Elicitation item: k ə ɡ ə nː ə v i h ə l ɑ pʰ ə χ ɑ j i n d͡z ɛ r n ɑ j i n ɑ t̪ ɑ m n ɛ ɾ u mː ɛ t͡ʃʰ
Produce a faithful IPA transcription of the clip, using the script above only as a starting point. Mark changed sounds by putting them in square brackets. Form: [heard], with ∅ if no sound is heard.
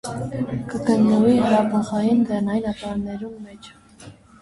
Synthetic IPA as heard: k ə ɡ ə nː ə v i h ə [ɾ] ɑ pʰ ə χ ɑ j i n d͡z ɛ r n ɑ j i n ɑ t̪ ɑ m n ɛ ɾ u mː ɛ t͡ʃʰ